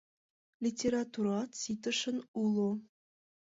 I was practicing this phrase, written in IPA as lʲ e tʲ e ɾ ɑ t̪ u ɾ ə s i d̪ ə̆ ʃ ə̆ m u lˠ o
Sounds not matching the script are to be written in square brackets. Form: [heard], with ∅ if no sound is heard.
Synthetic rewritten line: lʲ [i] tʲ e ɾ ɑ t̪ u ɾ [ɑ] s i [t̪] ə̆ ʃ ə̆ [n] u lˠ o